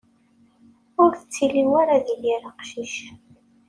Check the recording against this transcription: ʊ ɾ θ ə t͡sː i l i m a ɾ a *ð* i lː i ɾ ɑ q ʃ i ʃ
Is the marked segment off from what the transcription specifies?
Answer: no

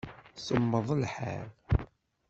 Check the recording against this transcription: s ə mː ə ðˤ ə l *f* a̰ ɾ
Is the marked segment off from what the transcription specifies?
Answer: yes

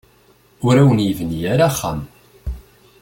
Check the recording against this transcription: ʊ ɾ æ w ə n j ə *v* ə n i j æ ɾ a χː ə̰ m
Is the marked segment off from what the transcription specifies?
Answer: no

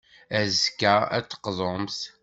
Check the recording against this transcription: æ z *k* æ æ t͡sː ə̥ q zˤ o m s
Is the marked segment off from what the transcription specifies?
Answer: no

